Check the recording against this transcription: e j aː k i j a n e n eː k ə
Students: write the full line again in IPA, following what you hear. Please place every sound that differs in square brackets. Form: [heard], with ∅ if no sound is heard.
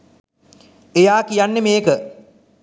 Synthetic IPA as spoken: e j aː k i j a [nː] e [m] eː k ə

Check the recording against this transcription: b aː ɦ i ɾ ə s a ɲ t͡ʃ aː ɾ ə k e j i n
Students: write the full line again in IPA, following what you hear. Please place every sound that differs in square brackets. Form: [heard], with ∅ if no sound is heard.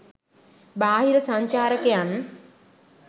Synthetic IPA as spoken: b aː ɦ i ɾ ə s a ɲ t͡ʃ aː ɾ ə k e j [a] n

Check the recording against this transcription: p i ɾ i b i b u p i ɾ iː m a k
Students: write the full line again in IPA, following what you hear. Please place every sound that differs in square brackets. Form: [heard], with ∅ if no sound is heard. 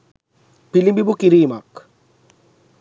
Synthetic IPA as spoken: p i [l] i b i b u [k] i ɾ iː m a k

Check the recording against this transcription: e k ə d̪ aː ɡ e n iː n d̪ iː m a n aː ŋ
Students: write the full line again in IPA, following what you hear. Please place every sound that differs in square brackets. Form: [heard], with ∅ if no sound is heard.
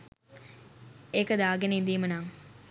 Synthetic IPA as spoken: e k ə d̪ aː ɡ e n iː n d̪ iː m [ə] n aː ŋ

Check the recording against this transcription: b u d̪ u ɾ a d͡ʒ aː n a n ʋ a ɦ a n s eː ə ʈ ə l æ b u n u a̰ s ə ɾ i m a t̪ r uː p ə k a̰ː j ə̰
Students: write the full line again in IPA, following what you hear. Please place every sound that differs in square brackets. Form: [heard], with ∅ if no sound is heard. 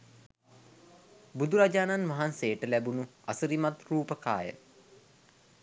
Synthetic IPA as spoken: b u d̪ u ɾ a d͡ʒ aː n a n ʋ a ɦ a n s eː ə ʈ ə l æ b u n u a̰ s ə ɾ i m a t̪ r uː p ə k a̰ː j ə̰

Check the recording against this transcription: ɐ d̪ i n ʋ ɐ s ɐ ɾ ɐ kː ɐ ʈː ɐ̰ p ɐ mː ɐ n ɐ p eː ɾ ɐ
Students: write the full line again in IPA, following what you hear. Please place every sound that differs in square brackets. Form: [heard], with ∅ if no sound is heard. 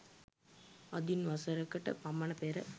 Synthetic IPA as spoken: ɐ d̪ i n ʋ ɐ s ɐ ɾ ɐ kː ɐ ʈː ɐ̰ p ɐ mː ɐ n ɐ p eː ɾ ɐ

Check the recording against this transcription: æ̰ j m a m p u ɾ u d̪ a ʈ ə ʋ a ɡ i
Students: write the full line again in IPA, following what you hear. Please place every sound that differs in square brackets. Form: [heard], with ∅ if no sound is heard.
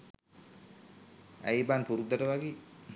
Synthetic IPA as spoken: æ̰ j [b] a [n] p u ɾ u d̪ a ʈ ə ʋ a ɡ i

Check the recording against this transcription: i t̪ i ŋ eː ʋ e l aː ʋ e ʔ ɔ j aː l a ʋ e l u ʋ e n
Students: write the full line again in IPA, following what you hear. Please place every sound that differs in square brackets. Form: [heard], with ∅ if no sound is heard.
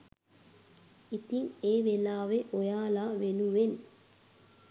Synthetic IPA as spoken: i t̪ i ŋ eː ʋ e l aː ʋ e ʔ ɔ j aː l a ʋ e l u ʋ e n

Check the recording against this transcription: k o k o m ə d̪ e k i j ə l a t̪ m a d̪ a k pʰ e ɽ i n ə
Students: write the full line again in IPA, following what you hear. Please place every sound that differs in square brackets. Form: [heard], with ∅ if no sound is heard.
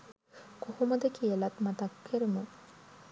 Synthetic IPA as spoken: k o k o m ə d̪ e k i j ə l a t̪ m a [t̪] a k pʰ e [ɾ] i [m] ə

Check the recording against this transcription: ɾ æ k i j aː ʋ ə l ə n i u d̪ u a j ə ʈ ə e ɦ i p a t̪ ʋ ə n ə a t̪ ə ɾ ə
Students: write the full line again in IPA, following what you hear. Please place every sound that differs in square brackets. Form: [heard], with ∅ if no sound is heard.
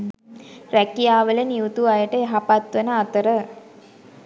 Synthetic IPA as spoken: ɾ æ k i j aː ʋ ə l ə n i u [t̪] u a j ə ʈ ə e ɦ [a] p a t̪ ʋ ə n ə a t̪ ə ɾ ə

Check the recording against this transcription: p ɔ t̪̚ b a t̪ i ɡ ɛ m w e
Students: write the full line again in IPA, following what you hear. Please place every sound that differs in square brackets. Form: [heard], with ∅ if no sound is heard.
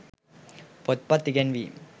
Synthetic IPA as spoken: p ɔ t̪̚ [p] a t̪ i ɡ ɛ [n] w [i]

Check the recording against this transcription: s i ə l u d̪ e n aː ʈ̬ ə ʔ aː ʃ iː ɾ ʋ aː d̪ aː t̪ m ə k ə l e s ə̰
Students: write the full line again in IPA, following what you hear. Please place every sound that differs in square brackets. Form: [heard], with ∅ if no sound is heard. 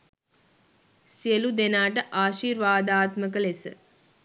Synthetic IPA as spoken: s i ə l u d̪ e n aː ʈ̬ ə ʔ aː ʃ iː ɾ ʋ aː d̪ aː t̪ m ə k ə l e s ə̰

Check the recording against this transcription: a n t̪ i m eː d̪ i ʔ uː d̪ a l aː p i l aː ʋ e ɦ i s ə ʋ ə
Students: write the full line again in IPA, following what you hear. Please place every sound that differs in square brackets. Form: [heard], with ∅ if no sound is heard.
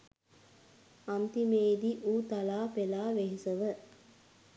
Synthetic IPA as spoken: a n t̪ i m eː d̪ i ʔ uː [t̪] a l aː p [e] l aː ʋ e ɦ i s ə ʋ ə

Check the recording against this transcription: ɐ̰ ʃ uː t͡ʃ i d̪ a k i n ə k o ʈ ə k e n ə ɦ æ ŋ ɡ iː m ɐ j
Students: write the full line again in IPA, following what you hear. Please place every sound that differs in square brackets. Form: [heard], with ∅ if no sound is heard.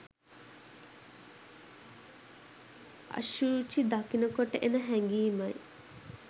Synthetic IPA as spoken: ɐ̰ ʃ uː t͡ʃ i d̪ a k i n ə k o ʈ ə [ʔ] e n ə ɦ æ ŋ ɡ iː m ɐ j

